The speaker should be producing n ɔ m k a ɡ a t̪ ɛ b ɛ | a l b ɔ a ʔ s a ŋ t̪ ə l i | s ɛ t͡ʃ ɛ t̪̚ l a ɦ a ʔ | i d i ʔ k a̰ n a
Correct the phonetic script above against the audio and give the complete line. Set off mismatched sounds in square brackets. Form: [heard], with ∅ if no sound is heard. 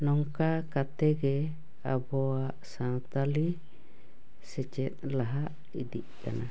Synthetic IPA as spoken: n ɔ [ŋ] k a [k] a t̪ ɛ [ɡ] ɛ | a [∅] b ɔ a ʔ s a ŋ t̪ [a] l i | s ɛ t͡ʃ ɛ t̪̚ l a ɦ a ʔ | i d i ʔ k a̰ n a